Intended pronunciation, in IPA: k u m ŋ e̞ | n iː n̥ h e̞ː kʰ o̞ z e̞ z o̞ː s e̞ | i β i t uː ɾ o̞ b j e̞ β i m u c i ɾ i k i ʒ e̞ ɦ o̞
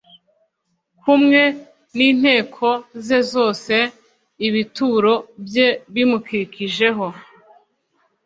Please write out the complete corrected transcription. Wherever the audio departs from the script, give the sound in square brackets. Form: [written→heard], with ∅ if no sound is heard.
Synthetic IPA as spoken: k u m ŋ e̞ | n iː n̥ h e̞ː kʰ o̞ z e̞ z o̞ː s e̞ | i β i t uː ɾ o̞ b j e̞ β i m u [c→k] i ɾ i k i ʒ e̞ ɦ o̞